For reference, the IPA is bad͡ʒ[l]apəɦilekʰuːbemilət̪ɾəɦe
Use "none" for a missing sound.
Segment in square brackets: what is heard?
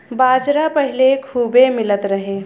ɾ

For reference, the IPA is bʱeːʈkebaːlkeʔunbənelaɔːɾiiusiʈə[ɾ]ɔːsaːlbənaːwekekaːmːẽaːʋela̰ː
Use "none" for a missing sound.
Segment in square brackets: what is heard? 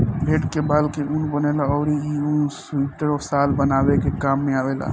ɾ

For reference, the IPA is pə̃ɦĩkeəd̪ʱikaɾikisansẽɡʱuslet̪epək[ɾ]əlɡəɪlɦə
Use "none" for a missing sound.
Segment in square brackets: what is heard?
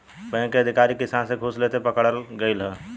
ɽ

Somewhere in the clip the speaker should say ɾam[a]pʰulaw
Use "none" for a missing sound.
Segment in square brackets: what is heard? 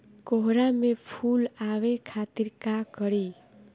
e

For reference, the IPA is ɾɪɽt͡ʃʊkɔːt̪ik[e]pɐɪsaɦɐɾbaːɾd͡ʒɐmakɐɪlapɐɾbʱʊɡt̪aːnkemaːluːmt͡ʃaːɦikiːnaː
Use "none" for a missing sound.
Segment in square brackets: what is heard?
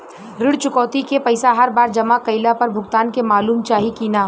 e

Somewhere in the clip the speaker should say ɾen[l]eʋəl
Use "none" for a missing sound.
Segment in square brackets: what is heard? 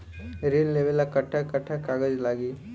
l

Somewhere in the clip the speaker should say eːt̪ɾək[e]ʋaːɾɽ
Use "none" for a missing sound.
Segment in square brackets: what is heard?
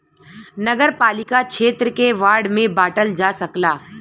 e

